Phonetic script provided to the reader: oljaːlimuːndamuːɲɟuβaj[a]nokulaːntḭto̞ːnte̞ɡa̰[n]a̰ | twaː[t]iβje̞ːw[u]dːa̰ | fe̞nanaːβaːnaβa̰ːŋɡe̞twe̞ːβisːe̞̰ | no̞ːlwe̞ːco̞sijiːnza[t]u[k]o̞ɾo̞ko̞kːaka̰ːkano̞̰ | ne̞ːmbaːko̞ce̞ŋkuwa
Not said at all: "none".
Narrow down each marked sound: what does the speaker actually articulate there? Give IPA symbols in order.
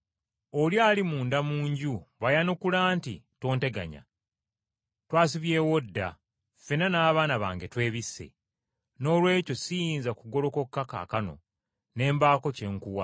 a, ɲ, s, o, k, ɡ

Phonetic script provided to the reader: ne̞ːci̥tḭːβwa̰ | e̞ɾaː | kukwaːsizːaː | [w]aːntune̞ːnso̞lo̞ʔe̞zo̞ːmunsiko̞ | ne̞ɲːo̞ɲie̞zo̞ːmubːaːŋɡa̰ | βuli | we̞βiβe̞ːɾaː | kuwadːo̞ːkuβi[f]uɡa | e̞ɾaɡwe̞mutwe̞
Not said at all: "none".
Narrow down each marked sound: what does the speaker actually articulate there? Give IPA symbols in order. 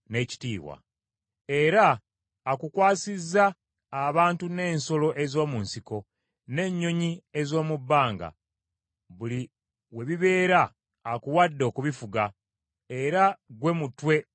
β, f

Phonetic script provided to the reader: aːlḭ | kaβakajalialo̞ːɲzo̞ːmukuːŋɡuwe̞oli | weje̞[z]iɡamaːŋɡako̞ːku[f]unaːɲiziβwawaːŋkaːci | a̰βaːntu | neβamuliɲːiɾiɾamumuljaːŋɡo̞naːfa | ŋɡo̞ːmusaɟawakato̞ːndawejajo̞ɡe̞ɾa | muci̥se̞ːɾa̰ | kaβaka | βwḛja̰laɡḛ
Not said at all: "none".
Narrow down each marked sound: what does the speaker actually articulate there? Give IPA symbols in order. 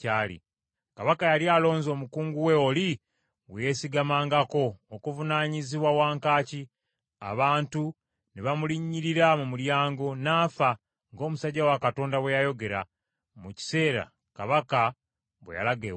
s, v

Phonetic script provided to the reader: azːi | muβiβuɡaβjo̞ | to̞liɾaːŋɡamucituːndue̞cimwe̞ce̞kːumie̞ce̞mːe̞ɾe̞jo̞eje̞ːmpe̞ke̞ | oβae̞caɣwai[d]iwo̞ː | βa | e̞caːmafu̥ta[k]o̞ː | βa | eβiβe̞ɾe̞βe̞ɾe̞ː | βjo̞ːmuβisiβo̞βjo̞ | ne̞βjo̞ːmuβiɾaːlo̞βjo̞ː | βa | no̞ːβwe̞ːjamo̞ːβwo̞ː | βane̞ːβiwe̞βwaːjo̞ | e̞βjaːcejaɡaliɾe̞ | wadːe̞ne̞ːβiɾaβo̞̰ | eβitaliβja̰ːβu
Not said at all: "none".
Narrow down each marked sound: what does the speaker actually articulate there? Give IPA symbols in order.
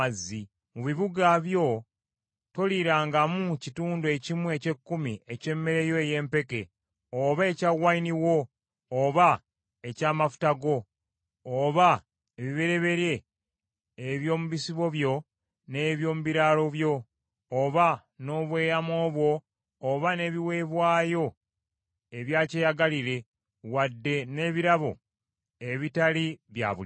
n, ɡ

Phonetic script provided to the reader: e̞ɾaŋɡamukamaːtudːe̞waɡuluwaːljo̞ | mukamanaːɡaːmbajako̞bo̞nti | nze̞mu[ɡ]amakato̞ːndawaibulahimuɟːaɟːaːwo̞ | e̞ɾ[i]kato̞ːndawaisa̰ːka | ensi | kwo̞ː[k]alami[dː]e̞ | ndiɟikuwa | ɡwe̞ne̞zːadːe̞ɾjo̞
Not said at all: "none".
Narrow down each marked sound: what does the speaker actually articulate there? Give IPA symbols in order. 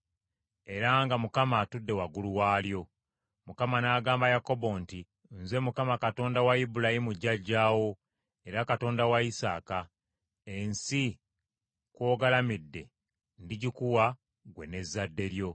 k, a, ɡ, dː

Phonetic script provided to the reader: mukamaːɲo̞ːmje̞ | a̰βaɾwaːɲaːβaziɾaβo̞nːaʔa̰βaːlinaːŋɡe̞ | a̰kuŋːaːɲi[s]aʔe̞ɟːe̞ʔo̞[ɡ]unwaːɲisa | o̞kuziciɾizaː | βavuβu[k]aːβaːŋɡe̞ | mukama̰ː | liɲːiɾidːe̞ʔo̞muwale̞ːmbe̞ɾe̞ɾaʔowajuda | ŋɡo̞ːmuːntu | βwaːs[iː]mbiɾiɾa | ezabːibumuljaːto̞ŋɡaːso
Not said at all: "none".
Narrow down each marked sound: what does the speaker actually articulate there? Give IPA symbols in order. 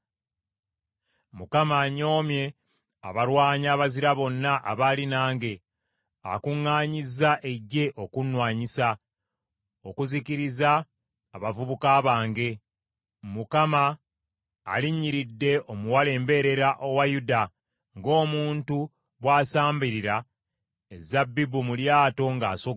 z, k, k, aː

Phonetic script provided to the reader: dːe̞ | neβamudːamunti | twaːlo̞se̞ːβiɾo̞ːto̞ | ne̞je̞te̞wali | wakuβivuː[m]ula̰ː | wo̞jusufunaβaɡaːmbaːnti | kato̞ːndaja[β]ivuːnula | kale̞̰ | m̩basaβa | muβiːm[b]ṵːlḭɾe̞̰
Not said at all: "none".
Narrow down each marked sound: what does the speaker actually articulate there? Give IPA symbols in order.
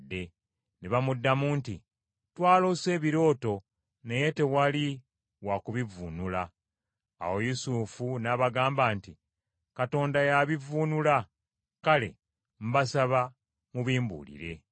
n, β, b

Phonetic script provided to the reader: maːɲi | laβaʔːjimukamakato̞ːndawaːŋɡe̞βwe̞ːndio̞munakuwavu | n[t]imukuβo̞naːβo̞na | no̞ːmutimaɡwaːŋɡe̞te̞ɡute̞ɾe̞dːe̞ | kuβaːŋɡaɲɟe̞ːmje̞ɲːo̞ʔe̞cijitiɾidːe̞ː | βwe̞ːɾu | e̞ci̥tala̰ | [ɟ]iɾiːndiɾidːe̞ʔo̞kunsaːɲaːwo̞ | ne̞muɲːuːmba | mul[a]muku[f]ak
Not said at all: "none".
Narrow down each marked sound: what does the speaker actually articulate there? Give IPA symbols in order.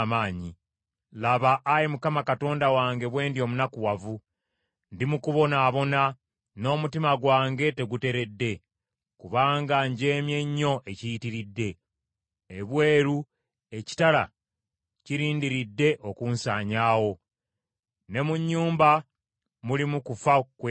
d, c, i, f

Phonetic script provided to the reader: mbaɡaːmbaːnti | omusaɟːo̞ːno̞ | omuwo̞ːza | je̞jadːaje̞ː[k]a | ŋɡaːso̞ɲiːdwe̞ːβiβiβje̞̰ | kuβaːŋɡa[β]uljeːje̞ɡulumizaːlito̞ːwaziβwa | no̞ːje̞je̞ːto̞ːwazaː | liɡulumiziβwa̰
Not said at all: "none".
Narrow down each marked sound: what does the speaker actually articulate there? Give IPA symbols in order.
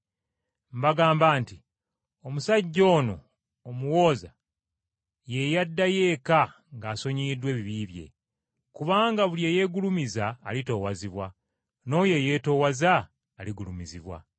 k, β

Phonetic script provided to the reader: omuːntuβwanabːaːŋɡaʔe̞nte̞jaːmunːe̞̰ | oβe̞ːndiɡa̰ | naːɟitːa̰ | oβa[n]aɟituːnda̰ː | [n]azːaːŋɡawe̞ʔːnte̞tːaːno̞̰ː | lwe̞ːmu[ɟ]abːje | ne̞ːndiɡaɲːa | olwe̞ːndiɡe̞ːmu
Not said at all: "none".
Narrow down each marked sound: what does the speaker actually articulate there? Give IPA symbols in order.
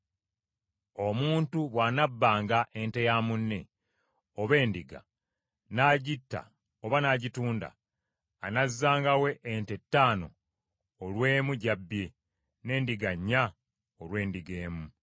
n, n, ɟ

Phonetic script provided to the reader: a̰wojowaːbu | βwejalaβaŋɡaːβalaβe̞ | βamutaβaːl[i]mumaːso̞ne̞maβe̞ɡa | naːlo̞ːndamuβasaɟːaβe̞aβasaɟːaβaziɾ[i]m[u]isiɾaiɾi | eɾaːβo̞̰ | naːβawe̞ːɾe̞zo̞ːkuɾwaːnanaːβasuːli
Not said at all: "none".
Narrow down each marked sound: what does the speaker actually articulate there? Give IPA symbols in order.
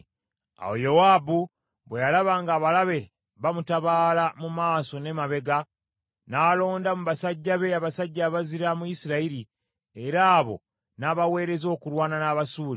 a, a, u

